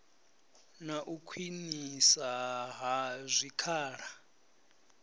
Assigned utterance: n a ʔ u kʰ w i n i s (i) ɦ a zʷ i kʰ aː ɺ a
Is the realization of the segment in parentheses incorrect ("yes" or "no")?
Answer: yes